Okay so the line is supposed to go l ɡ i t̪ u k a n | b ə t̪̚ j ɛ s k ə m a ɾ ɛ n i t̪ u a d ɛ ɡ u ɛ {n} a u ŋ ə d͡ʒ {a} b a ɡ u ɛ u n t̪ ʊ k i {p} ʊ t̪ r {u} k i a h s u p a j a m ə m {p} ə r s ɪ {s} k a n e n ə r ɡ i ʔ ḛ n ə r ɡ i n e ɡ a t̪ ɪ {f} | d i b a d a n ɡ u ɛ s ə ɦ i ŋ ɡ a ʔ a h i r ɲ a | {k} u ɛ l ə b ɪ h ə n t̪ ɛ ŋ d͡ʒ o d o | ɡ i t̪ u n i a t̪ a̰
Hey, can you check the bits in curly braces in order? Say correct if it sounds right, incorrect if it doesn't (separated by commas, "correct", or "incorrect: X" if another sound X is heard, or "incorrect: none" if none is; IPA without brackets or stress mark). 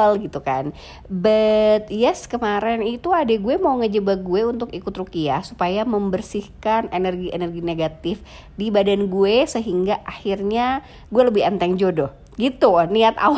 incorrect: m, incorrect: ə, incorrect: k, correct, incorrect: b, incorrect: h, correct, incorrect: ɡ